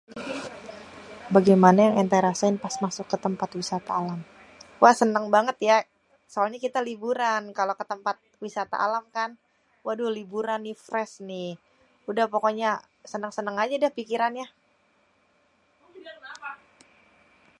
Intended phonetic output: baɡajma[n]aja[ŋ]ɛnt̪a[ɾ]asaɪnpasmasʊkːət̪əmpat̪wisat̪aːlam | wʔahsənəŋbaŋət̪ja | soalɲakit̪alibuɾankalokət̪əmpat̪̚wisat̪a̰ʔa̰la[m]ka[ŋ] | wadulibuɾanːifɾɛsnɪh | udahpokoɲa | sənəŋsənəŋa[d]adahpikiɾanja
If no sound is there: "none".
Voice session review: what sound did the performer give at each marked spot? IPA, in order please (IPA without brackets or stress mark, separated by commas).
n, ŋ, ɾ, m, n, d͡ʒ